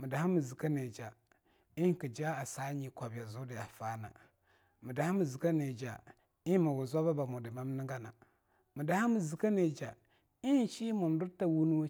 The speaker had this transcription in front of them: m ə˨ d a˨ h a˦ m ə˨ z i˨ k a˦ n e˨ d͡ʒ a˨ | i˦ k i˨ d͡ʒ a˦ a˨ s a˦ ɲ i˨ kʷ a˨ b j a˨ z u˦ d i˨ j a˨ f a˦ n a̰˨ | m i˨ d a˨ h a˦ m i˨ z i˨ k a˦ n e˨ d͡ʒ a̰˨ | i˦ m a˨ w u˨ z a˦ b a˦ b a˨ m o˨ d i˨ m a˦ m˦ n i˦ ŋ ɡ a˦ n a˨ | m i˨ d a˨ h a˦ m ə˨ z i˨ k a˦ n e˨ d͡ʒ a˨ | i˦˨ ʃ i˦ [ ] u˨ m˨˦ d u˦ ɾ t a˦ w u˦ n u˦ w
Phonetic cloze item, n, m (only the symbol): m